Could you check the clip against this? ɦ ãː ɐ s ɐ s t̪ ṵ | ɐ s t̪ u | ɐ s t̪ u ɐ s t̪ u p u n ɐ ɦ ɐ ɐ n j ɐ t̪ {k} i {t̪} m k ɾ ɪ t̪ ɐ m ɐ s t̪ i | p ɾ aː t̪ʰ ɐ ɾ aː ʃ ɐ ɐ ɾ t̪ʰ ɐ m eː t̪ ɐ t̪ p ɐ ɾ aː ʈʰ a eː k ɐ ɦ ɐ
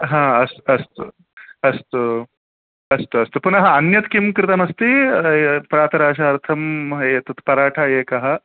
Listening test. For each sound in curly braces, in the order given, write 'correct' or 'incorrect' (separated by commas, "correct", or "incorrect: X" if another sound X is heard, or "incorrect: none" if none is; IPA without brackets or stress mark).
correct, incorrect: none